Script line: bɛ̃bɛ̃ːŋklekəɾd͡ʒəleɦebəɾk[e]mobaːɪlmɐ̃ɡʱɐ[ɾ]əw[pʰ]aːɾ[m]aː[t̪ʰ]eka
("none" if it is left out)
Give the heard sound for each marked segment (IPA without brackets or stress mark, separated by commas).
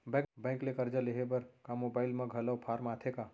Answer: a, l, pʰ, m, t̪ʰ